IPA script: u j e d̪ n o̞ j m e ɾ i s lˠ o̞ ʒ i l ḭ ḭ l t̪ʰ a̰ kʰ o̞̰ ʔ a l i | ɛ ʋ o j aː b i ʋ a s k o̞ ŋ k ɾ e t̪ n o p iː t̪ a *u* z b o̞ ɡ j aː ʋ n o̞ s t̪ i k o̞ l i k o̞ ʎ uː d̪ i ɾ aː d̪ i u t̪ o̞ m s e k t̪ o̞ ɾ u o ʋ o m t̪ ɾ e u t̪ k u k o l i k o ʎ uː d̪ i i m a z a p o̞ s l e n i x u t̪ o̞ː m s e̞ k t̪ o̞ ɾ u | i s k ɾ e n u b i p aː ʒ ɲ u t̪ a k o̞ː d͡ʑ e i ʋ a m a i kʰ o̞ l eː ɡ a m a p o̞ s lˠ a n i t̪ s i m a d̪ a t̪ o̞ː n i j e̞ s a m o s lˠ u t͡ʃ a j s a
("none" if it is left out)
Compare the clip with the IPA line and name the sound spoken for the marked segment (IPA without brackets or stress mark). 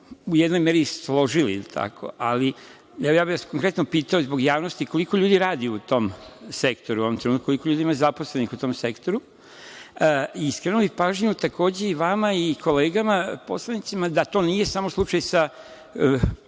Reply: o